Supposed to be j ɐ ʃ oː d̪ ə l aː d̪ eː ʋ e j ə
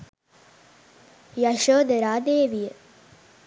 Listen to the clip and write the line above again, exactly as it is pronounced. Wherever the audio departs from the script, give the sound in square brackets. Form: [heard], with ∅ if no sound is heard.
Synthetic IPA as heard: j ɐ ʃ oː d̪ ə [ɾ] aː d̪ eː ʋ [i] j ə